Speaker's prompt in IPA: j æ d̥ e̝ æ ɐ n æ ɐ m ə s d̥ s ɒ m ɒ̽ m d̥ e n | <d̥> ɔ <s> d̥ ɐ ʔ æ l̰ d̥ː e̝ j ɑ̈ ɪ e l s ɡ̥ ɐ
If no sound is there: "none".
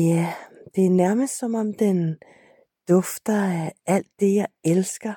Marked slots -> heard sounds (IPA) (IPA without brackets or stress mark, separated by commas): d̥, f